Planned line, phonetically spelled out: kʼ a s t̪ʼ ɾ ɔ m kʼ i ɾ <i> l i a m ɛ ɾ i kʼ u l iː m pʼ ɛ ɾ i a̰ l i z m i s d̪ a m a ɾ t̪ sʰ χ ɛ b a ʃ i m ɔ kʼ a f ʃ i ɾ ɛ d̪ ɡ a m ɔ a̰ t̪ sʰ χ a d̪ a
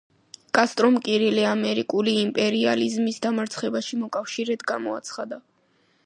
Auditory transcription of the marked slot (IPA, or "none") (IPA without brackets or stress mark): i